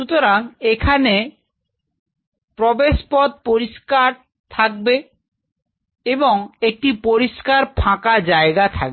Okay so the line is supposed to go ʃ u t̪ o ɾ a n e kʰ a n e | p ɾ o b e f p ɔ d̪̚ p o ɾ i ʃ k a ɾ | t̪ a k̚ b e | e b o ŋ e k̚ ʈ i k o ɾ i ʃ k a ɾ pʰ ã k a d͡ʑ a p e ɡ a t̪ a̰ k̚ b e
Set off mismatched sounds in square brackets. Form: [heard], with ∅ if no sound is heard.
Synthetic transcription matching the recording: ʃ u t̪ o ɾ a [ŋ] e kʰ a n e | p ɾ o b e [ʃ] p ɔ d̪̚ p o ɾ i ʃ k a ɾ | [t̪ʰ] a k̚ b e | e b o ŋ e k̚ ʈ i [p] o ɾ i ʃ k a ɾ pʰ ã k a d͡ʑ a [∅] e ɡ a [t̪ʰ] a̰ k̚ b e

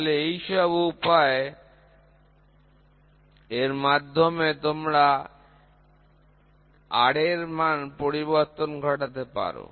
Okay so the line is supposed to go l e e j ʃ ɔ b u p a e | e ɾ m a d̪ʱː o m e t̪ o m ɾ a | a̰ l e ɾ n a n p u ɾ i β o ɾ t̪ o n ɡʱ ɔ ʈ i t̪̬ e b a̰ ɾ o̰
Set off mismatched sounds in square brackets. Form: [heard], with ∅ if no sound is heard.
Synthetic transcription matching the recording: l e e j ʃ ɔ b u p a e | e ɾ m a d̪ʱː o m e t̪ o m ɾ a | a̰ [ɽ] e ɾ [m] a n p [o] ɾ i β o ɾ t̪ o n ɡʱ ɔ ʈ [a] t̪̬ e [p] a̰ ɾ o̰

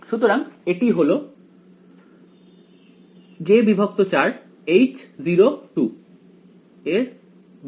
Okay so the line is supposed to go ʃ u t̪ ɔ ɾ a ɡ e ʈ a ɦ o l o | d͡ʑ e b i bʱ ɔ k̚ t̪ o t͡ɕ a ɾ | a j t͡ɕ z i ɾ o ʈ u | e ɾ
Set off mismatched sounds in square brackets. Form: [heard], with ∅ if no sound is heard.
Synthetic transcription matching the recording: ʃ u t̪ [o] ɾ a [ŋ] e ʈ [i] ɦ o l o | d͡ʑ e b i bʱ [o] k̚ t̪ o t͡ɕ a ɾ | [e] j t͡ɕ z i ɾ o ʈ u | e ɾ

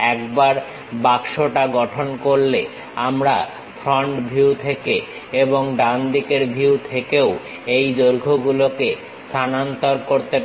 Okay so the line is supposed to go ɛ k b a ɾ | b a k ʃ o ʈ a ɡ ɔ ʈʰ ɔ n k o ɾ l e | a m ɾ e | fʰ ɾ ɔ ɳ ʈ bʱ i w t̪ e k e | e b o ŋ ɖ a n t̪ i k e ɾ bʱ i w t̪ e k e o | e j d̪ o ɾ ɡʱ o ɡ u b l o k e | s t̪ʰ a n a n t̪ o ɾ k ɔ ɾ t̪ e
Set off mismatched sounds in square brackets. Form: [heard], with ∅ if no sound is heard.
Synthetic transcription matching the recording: ɛ k b a ɾ | b a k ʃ o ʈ a ɡ ɔ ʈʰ [o] n k o ɾ l e | a m ɾ [a] | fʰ ɾ ɔ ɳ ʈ bʱ i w [t̪ʰ] e k e | e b o ŋ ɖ a n [d̪] i k e ɾ bʱ i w [t̪ʰ] e k e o | e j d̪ o ɾ ɡʱ o ɡ u [∅] l o k e | s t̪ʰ a n a n t̪ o ɾ k [o] ɾ t̪ e

